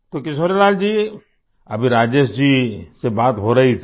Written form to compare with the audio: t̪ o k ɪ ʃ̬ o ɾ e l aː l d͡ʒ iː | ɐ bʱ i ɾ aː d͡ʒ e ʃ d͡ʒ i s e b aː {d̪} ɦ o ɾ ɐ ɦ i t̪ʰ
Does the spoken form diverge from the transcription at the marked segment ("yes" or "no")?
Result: yes